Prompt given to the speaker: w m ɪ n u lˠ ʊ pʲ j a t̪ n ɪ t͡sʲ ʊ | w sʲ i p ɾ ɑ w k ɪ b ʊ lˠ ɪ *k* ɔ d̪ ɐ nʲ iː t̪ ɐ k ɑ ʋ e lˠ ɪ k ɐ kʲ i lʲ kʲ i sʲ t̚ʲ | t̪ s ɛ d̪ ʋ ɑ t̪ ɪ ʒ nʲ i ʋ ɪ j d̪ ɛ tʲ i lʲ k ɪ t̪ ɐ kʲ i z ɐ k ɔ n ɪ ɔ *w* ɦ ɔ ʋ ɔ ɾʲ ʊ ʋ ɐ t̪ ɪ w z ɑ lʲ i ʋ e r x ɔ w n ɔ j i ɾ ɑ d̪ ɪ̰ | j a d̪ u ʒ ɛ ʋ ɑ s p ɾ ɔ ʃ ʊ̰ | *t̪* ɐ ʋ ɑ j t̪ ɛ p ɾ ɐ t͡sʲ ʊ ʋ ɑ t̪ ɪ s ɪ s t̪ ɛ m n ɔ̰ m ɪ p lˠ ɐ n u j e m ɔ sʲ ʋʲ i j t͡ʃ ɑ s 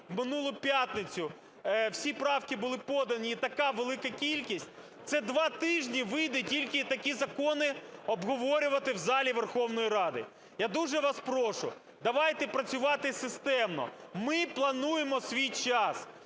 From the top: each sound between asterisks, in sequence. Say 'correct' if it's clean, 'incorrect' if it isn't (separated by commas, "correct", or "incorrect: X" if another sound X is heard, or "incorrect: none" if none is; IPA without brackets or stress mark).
incorrect: p, incorrect: b, incorrect: d̪